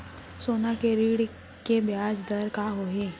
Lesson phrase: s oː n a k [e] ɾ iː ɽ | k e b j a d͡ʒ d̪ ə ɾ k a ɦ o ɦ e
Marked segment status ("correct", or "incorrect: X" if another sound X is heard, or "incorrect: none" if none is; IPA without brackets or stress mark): correct